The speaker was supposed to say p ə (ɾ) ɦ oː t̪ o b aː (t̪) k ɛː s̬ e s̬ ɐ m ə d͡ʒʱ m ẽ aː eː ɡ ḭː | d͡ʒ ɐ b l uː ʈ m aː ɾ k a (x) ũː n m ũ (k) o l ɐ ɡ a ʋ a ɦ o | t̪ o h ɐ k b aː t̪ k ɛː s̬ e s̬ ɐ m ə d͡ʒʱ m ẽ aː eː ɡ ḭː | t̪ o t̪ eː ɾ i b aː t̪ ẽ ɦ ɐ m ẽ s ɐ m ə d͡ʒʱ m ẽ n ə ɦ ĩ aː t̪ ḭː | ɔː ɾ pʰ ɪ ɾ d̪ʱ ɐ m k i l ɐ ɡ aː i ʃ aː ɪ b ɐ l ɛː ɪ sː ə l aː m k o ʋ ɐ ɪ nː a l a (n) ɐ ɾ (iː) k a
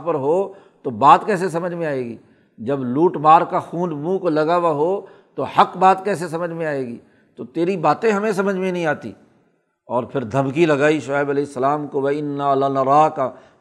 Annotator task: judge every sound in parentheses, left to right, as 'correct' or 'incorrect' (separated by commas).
correct, correct, correct, correct, correct, incorrect